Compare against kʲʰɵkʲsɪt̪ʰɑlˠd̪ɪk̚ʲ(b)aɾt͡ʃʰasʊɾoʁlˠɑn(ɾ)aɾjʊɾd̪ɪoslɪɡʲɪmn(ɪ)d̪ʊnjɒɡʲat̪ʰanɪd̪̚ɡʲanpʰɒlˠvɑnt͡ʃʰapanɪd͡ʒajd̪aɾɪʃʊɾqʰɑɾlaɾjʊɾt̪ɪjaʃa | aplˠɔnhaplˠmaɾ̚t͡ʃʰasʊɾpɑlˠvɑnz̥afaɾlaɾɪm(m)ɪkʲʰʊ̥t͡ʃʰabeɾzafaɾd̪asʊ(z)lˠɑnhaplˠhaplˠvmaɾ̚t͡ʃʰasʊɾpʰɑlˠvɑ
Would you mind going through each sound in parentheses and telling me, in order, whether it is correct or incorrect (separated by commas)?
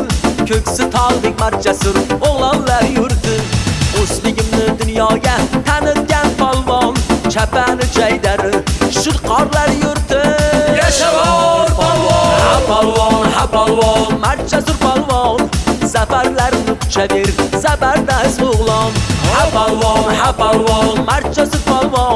incorrect, incorrect, correct, incorrect, incorrect